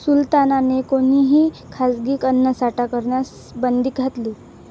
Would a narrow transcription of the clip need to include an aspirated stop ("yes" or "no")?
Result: yes